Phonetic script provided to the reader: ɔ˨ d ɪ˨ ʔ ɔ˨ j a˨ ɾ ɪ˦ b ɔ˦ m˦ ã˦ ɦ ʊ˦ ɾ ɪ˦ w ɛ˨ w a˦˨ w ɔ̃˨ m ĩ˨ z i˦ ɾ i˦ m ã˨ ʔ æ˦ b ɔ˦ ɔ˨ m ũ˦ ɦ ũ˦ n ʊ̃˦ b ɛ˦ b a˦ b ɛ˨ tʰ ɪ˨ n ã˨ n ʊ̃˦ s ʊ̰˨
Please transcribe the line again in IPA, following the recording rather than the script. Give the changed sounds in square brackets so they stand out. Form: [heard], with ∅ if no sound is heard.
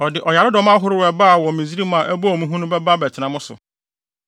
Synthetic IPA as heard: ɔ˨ d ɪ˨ ʔ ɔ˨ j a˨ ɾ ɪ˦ [d] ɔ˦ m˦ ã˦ ɦ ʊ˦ ɾ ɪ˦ w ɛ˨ [b] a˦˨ w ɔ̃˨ m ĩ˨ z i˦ ɾ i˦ m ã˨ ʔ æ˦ b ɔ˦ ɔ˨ m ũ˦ ɦ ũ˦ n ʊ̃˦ b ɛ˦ b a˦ b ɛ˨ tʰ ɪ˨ n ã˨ [m] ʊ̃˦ s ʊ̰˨

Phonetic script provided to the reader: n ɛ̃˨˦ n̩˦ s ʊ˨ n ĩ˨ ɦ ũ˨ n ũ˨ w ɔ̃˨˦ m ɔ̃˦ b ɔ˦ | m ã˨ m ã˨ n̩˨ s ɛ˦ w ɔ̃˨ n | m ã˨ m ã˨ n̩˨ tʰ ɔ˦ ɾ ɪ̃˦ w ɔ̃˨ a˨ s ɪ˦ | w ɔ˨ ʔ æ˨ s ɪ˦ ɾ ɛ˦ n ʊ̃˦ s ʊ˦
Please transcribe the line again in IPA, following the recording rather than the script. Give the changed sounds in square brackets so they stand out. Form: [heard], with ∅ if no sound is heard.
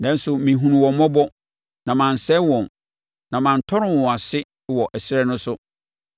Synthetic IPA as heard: n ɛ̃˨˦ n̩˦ s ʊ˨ [m] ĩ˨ ɦ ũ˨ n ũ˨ w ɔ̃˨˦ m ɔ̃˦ b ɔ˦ | [n] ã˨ m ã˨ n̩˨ s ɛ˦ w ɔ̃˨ n | [n] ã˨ m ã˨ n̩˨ tʰ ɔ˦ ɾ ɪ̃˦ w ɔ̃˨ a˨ s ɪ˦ | w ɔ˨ ʔ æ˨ s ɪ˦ ɾ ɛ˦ n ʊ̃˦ s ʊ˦

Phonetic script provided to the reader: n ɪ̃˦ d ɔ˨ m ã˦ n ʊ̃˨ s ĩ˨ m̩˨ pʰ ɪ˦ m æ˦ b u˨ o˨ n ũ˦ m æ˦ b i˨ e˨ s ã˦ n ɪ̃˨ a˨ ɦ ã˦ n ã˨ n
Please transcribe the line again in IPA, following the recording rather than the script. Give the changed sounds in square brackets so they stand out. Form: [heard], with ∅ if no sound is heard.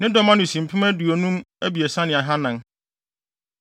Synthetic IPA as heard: n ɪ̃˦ d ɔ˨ m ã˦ n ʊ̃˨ s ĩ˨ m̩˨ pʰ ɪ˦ m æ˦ [d] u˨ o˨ n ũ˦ m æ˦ b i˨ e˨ s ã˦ n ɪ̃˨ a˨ ɦ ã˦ n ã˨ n

